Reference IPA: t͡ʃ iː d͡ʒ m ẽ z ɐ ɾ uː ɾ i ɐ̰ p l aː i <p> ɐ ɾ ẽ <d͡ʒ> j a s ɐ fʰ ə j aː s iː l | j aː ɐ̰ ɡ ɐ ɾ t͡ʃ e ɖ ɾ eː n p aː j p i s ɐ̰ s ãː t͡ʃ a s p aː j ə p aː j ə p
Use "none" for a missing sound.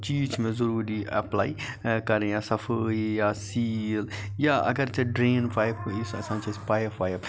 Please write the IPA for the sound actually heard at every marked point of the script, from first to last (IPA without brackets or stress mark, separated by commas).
k, none